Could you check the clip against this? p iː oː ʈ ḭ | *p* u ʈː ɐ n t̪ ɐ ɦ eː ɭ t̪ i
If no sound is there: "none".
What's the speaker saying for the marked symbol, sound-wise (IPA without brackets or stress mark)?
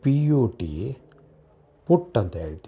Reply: p